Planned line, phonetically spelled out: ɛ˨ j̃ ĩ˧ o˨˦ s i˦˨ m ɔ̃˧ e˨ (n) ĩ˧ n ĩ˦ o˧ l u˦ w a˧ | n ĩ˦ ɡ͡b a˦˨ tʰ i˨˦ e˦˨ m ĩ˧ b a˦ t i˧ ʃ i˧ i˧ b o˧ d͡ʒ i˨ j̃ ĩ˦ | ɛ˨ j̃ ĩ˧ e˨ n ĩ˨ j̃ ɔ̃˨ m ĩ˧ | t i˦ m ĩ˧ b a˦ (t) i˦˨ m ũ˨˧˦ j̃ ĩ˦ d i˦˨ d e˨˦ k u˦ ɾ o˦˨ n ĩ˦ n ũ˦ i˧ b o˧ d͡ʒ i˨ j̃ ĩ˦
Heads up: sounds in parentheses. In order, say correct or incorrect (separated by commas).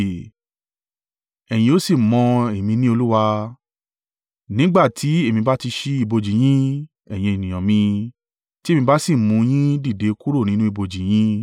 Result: incorrect, incorrect